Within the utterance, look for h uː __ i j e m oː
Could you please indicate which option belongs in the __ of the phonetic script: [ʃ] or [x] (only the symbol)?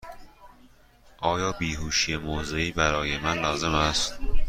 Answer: ʃ